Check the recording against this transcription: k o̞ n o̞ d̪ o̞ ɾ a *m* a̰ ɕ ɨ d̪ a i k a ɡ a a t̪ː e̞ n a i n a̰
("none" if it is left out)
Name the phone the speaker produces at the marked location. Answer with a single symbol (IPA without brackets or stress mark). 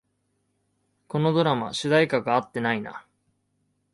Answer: m